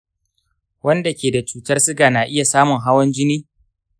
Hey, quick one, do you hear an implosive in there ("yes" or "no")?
no